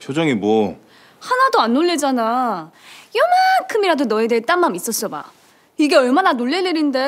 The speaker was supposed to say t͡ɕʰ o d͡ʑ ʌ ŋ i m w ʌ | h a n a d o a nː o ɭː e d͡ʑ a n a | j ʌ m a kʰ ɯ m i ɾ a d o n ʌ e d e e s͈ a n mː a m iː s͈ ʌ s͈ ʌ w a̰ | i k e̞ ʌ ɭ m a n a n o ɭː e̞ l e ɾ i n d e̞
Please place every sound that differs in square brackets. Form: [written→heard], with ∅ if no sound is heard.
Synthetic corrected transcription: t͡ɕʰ o d͡ʑ ʌ ŋ i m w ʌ | h a n a d o a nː o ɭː e d͡ʑ a n a | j ʌ m a kʰ ɯ m i ɾ a d o n ʌ e d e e [s͈→t͈] a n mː a m [iː→i] s͈ ʌ s͈ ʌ [w→b] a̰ | i [k→ɡ] e̞ ʌ ɭ m a n a n o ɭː e̞ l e ɾ i n d e̞